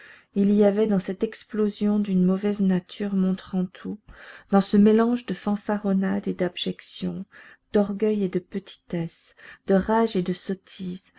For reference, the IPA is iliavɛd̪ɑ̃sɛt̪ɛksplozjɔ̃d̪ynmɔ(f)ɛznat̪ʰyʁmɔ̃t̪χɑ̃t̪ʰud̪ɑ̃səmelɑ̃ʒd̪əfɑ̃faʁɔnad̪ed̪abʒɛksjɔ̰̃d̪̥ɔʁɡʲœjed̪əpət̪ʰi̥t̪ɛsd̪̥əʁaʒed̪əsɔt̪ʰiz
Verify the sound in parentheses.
incorrect: v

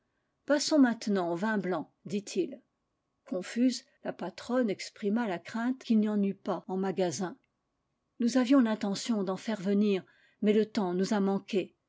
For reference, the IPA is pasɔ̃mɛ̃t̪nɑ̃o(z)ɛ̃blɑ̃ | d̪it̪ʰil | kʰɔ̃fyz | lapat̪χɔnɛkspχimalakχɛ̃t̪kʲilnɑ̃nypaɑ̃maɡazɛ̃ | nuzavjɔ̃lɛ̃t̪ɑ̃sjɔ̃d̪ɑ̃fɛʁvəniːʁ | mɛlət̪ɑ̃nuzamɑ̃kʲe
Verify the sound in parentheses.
incorrect: v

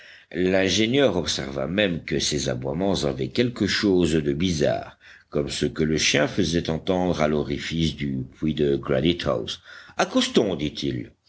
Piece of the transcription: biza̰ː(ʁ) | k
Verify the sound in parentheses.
correct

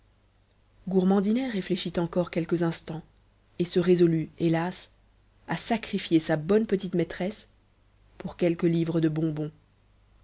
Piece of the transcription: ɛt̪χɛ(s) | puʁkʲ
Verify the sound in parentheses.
correct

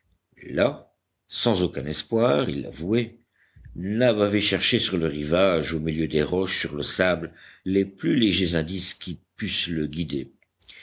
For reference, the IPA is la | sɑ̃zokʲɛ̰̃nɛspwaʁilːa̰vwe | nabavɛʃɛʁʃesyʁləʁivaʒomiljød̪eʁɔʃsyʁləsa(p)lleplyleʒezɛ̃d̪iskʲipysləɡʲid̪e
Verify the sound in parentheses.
incorrect: b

